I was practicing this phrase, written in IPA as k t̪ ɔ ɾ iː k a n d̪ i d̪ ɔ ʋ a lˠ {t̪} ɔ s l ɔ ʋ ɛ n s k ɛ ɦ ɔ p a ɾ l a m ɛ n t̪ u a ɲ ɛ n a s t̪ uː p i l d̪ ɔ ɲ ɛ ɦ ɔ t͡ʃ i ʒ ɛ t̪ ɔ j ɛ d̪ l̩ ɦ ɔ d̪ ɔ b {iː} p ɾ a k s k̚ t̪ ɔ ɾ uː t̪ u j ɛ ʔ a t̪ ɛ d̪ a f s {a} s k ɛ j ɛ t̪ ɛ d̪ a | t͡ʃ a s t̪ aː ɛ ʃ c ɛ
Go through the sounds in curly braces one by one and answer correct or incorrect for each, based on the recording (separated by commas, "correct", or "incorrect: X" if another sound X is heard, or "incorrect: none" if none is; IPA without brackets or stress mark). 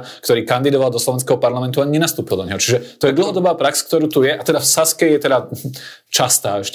incorrect: d̪, incorrect: aː, correct